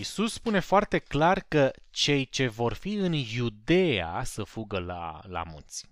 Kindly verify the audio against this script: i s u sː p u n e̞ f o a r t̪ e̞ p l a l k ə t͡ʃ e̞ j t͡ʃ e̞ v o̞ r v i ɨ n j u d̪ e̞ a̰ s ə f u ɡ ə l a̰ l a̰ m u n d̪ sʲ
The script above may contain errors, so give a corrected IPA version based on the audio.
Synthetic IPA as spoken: i s u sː p u n e̞ f o a r t̪ e̞ k l a r k ə t͡ʃ e̞ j t͡ʃ e̞ v o̞ r f i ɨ n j u d̪ e̞ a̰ s ə f u ɡ ə l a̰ l a̰ m u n t̪ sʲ